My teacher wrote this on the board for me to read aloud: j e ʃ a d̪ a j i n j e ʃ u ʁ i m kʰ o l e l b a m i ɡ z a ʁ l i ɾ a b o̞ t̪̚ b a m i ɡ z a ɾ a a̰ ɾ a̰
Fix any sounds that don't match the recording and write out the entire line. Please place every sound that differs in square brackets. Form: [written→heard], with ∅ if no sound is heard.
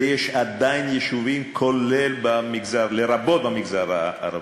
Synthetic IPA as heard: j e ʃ a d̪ a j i n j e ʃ u [ʁ→v] i m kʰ o l e l b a m i ɡ z a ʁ l [i→e] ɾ a b o̞ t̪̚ b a m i ɡ z a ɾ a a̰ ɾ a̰